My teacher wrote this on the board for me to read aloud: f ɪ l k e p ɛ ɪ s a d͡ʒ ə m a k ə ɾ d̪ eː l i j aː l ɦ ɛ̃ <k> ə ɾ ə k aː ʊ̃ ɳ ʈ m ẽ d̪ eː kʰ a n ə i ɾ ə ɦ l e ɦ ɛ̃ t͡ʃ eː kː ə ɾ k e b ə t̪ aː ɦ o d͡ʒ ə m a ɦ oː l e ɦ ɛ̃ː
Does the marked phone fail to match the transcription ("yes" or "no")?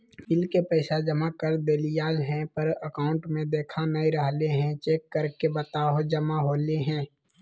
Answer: yes